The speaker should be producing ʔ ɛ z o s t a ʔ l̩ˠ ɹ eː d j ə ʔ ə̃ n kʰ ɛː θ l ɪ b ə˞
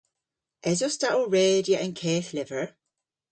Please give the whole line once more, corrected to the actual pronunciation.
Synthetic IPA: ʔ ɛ z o s t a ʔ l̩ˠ ɹ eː d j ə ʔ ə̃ n kʰ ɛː θ l ɪ v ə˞

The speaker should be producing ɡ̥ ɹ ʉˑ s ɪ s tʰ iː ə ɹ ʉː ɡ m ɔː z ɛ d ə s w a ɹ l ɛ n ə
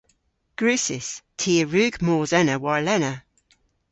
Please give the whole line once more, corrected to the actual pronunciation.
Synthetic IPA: ɡ̥ ɹ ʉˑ s ɪ s tʰ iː ə ɹ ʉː ɡ m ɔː z ɛ n ə w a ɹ l ɛ n ə

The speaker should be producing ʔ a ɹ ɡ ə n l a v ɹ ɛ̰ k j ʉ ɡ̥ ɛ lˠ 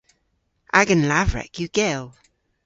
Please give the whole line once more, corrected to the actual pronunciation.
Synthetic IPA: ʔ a ɡ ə n l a v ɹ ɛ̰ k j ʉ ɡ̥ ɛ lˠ

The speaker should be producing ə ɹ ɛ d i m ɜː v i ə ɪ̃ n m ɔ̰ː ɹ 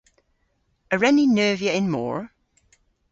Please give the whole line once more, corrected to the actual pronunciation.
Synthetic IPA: ə ɹ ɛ n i n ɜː v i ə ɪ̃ n m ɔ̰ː ɹ

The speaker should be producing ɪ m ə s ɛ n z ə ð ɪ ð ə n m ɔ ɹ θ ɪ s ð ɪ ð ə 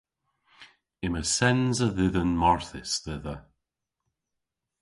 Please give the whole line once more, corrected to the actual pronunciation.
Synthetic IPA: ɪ m ə s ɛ n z ə ð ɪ ð ə n m ɔ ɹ θ ɪ s ð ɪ ð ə

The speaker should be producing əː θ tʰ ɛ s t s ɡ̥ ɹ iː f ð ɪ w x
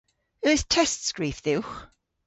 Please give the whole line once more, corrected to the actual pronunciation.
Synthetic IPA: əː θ tʰ ɛ s t s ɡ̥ ɹ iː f ð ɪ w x

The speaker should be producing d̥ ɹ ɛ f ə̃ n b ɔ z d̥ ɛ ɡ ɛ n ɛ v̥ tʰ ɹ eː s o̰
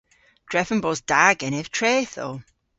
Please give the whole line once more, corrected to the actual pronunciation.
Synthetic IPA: d̥ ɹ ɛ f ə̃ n b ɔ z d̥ a ɡ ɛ n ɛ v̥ tʰ ɹ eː θ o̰

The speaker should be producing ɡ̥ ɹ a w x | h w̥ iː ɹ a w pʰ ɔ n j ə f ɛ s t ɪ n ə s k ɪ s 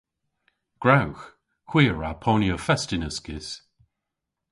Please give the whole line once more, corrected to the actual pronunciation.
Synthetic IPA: ɡ̥ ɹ a w x | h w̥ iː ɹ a pʰ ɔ n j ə f ɛ s t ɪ n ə s k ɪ s

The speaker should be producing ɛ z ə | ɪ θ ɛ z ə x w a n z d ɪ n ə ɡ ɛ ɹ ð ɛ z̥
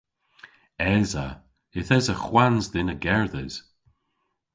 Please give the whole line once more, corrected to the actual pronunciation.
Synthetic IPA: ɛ z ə | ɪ θ ɛ z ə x w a n z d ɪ n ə ɡ ɛ ɹ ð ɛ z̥

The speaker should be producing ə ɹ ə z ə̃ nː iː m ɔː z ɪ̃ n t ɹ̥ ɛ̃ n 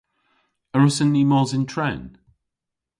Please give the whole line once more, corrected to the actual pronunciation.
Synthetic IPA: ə ɹ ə s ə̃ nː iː m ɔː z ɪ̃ n tʰ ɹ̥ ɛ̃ n

